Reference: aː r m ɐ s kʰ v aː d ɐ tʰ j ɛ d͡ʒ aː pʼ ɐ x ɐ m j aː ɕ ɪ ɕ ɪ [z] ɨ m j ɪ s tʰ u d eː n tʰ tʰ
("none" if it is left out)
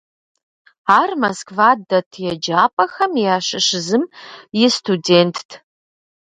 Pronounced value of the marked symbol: z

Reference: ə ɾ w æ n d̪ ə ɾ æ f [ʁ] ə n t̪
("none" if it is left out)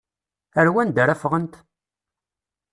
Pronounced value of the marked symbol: ʁ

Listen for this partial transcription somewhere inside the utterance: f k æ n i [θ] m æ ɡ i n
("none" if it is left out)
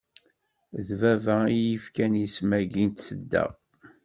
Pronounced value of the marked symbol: s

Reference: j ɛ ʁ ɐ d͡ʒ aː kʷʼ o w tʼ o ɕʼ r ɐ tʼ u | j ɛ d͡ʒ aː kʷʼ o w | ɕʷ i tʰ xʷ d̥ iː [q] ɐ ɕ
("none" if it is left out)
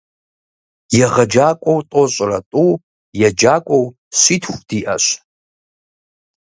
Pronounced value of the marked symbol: ʔ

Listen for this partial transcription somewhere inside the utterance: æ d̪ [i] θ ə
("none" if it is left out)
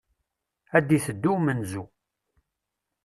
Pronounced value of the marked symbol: i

